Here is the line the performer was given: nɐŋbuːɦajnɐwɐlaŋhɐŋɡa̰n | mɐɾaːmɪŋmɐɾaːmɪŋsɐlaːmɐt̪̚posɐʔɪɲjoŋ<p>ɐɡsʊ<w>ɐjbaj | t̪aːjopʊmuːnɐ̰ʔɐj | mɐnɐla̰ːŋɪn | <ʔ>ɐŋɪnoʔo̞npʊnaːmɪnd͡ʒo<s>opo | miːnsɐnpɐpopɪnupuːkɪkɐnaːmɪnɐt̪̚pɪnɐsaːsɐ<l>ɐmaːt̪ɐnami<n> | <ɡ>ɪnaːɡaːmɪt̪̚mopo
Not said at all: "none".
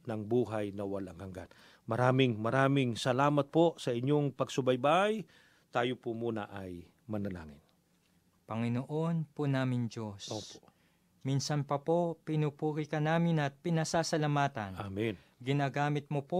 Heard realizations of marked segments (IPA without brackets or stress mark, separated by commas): p, b, p, s, l, n, ɡ